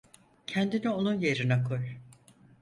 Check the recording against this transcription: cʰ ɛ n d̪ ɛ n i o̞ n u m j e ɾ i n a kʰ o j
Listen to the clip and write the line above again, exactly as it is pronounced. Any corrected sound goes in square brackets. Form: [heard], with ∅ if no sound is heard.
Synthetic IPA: cʰ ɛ n d̪ [i] n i o̞ n u [n] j e ɾ i n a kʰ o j